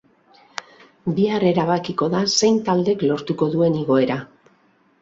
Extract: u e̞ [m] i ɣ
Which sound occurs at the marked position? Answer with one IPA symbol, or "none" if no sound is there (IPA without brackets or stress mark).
n